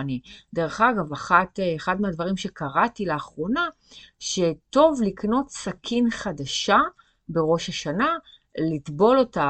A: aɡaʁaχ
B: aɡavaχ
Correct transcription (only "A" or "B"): B